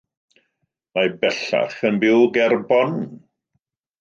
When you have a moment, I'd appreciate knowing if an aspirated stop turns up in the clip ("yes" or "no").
no